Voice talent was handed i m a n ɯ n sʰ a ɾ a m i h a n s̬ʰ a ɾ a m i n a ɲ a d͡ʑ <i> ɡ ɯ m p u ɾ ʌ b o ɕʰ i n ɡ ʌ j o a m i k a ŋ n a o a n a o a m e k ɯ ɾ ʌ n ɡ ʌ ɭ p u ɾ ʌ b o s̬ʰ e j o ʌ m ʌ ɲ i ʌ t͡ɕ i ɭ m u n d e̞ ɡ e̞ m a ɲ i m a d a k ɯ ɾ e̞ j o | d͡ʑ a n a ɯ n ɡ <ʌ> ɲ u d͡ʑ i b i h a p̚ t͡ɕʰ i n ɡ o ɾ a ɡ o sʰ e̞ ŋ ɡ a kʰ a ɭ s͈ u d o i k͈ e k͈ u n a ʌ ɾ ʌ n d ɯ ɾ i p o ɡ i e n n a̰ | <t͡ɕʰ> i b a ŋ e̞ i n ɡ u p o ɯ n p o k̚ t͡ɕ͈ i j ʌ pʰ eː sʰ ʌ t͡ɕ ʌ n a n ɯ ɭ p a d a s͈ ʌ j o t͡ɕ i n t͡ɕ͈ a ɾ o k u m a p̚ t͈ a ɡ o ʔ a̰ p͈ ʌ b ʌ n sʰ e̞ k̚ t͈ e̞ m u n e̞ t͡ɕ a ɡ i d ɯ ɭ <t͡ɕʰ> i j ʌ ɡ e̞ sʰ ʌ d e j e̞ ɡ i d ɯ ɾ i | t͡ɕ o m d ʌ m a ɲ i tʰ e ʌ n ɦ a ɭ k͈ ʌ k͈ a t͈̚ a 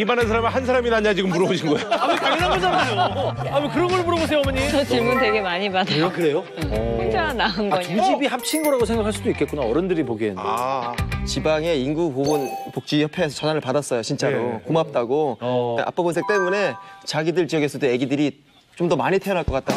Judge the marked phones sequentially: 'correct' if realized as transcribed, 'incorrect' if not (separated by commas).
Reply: correct, correct, incorrect, incorrect